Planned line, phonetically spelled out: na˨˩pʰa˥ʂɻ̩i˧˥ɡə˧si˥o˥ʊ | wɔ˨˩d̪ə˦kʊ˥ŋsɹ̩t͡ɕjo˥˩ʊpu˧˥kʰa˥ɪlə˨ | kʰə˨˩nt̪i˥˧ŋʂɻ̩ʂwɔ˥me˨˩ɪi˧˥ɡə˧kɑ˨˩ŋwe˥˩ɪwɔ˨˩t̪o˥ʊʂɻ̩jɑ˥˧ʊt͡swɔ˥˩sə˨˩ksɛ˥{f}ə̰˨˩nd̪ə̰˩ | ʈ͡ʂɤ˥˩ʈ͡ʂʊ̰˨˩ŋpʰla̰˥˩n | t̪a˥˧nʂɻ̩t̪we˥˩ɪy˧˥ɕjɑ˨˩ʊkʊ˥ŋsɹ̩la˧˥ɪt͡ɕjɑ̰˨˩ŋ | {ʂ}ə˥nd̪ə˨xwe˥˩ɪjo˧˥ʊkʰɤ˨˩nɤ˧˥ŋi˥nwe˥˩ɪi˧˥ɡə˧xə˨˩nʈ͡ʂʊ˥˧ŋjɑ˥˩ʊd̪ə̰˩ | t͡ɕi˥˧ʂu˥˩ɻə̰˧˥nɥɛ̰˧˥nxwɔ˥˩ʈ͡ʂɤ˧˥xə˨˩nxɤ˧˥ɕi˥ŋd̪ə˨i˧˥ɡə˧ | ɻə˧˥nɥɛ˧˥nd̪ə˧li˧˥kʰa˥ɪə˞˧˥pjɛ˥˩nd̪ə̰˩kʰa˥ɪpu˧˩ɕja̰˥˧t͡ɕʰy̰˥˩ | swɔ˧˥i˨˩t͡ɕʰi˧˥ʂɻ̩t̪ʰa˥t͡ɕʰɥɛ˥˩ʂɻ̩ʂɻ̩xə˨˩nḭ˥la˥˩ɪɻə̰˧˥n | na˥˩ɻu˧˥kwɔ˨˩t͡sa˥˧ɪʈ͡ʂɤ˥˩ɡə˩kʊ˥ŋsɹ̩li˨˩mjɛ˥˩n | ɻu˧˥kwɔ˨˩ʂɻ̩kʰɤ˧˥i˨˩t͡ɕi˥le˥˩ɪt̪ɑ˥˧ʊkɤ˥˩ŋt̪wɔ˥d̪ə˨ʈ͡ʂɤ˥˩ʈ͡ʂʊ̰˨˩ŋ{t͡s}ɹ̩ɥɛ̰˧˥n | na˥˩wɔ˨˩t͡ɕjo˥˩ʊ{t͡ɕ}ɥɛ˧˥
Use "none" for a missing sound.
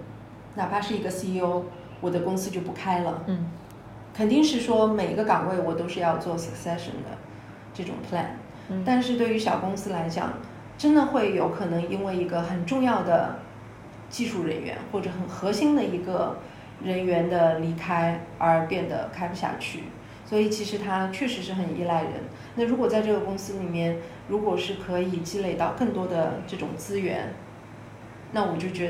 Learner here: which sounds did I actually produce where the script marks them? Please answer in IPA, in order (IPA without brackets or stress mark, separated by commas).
ʂ, ʈ͡ʂ, t͡s, t͡ɕ